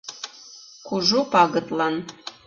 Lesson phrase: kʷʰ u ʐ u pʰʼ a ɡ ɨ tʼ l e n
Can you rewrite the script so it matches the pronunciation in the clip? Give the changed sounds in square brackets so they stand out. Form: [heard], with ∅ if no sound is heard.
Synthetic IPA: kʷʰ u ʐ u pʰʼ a ɡ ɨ tʼ l [a] n